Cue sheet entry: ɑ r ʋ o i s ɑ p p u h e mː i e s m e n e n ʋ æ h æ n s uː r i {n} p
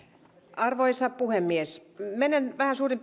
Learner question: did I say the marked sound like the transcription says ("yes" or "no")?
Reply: no